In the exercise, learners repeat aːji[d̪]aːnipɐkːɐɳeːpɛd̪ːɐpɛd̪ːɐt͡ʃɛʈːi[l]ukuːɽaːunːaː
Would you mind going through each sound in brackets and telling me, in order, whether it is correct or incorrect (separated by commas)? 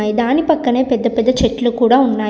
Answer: correct, correct